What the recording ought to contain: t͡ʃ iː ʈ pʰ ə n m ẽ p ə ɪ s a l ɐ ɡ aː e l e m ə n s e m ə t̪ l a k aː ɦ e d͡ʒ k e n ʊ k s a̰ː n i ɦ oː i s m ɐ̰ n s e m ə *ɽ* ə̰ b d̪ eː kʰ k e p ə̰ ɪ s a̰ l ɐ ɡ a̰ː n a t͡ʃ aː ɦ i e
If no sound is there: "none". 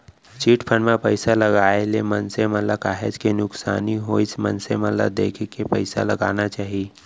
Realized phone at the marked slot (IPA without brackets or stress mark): l